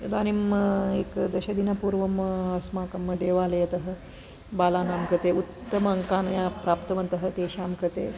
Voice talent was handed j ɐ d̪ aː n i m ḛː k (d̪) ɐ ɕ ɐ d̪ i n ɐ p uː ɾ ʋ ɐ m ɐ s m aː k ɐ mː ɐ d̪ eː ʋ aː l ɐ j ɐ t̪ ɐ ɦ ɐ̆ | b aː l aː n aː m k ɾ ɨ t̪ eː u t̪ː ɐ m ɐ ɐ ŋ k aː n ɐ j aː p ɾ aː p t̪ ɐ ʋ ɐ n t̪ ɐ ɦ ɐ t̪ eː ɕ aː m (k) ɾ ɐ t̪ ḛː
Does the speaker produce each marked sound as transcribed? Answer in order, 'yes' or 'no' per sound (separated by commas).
yes, yes